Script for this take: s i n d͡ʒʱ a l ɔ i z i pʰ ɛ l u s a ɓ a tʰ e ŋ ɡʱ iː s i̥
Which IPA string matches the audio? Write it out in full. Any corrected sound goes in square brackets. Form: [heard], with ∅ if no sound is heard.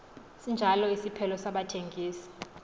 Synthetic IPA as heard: s i n d͡ʒʱ a l ɔ i [s] i pʰ ɛ l [ɔ] s a ɓ a tʰ e ŋ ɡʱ iː s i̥